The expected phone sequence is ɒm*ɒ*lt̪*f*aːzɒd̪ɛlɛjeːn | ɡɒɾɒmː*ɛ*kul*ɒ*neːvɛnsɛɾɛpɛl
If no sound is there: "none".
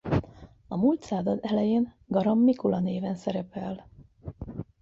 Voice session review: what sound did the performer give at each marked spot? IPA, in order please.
u, s, i, ɒ

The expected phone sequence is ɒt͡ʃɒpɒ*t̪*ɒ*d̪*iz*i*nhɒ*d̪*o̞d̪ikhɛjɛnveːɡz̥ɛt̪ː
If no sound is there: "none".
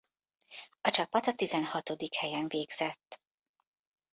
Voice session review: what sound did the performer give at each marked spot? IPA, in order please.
t̪, t̪, ɛ, t̪

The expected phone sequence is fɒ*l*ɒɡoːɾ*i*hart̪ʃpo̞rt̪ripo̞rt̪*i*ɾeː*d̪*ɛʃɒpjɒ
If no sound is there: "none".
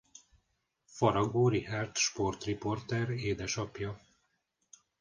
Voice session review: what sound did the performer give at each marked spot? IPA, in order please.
ɾ, i, ɛ, d̪

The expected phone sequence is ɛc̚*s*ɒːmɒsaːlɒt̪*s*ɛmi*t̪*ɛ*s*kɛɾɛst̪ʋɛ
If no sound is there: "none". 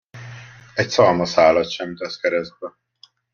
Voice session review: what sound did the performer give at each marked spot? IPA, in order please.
s, ʃ, t̪, s

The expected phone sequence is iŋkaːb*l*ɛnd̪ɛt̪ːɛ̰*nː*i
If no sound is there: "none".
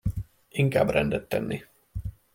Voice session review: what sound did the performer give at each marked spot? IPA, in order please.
r, nː

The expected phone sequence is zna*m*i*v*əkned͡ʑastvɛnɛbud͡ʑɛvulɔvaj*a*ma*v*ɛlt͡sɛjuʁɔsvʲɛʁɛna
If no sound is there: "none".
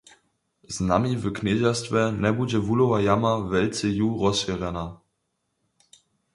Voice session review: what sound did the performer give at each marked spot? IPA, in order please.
m, v, a, v

